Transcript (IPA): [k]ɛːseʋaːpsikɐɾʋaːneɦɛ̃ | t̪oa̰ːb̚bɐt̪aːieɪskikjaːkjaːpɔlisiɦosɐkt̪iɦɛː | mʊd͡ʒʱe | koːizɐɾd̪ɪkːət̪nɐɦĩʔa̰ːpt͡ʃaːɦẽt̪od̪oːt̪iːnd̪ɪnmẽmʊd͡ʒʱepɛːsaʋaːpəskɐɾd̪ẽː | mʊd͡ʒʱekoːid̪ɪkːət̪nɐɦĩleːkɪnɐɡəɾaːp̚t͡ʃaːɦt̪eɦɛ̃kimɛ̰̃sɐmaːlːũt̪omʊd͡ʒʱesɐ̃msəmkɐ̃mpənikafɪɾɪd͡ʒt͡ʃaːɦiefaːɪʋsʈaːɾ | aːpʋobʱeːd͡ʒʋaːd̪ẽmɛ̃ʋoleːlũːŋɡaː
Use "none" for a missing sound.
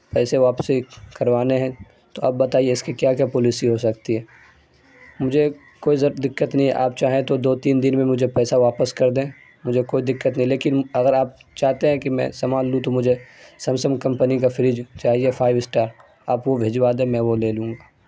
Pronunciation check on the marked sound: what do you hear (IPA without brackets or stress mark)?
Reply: p